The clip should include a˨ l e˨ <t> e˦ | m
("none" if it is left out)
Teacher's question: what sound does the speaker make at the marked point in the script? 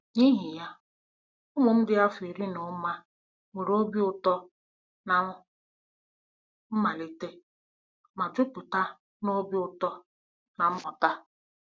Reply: t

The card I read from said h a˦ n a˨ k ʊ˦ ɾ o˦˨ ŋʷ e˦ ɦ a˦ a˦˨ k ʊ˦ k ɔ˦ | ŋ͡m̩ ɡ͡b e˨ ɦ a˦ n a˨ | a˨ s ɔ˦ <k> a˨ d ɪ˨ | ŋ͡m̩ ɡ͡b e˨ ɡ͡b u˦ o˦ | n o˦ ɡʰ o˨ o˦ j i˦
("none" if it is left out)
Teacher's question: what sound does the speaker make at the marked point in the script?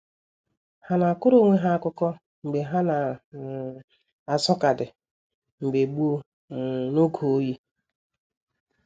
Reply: k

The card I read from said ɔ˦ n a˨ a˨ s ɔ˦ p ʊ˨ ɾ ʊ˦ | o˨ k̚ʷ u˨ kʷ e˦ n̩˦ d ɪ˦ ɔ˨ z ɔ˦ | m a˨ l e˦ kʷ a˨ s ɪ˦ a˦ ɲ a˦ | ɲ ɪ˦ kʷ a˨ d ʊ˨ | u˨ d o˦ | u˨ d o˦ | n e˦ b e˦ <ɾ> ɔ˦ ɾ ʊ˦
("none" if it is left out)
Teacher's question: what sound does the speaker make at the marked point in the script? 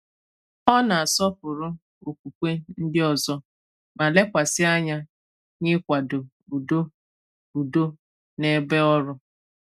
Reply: none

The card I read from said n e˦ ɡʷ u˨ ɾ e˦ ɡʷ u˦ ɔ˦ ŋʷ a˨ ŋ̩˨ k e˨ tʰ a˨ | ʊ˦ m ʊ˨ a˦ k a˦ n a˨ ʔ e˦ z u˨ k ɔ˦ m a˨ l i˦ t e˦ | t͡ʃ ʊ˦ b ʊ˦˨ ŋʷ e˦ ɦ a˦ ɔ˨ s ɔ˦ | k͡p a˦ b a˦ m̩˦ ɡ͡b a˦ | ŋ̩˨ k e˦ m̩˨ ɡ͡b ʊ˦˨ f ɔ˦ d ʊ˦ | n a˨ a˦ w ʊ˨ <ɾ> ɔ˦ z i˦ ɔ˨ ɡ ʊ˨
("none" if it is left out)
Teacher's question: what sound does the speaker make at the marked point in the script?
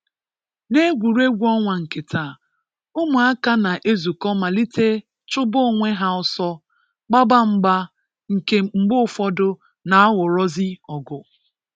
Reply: ɾ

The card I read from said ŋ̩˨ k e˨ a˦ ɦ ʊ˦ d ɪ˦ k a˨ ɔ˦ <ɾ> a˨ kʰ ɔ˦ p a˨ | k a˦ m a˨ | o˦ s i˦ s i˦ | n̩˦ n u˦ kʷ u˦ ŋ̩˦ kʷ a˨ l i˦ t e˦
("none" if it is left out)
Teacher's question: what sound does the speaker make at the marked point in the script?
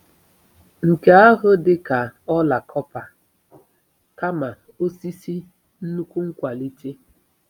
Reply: l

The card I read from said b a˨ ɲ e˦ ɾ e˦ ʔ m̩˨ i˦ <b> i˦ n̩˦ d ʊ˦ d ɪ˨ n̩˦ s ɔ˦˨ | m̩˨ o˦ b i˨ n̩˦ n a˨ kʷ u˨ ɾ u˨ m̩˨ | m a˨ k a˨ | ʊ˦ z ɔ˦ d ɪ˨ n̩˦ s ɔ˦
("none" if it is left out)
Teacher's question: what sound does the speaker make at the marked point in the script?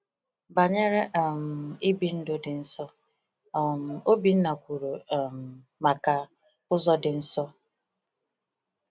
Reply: b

